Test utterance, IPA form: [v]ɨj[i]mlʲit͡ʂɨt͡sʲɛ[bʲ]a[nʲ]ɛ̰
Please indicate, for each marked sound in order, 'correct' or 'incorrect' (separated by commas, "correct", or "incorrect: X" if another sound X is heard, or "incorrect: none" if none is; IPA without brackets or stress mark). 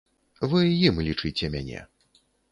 correct, correct, incorrect: mʲ, correct